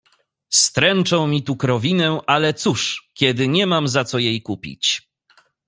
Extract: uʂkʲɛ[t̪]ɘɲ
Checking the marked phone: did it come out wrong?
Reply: yes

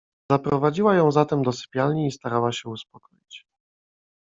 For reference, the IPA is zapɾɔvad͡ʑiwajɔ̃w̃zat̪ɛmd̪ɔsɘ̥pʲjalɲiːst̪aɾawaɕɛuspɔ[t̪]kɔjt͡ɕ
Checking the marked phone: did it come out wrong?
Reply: yes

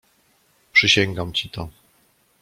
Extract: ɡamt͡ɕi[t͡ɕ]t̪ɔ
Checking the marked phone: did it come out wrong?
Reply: yes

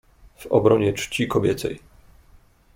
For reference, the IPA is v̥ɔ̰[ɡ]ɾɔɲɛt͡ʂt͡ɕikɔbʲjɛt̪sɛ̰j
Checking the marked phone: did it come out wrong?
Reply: yes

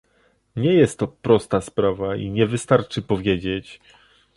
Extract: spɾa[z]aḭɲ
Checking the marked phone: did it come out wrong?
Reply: yes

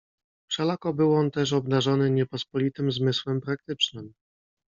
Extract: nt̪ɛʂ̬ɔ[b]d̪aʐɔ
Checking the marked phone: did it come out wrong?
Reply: no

